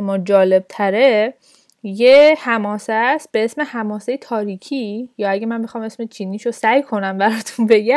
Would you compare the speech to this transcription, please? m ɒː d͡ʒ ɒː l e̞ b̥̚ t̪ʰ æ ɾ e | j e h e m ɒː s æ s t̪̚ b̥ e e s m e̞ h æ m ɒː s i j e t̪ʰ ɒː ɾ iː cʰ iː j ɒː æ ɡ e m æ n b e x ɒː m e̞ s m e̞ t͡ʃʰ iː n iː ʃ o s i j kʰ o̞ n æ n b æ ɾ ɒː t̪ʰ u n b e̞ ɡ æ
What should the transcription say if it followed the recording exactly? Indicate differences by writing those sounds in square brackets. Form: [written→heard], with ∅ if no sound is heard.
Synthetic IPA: m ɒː d͡ʒ ɒː l e̞ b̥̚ t̪ʰ æ ɾ e | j e h [e→æ] m ɒː s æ s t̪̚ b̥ e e s m e̞ h æ m ɒː s [i→e] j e t̪ʰ ɒː ɾ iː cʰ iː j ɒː æ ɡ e m æ n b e x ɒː m e̞ s m e̞ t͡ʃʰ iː n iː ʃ o s [i→æ] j kʰ o̞ n æ [n→m] b æ ɾ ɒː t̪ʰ u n b e̞ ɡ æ